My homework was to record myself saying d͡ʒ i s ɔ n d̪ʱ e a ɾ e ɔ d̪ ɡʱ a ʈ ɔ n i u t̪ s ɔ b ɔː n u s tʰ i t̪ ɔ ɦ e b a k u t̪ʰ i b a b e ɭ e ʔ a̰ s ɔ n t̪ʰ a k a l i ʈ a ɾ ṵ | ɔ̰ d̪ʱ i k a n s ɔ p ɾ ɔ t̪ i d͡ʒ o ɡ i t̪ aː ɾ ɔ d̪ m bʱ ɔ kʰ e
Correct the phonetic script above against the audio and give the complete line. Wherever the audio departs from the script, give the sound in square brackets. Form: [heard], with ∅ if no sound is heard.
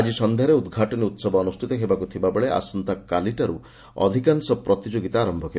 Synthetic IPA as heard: d͡ʒ i s ɔ n d̪ʱ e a ɾ e [u] d̪ ɡʱ a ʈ ɔ n i u t̪ s ɔ b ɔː n u s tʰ i t̪ ɔ ɦ e b a k u t̪ʰ i b a b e ɭ e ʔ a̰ s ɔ n [t̪] a k a l i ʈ a ɾ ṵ | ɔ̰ d̪ʱ i k a n s ɔ p ɾ ɔ t̪ i d͡ʒ o ɡ i t̪ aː ɾ ɔ [∅] m bʱ ɔ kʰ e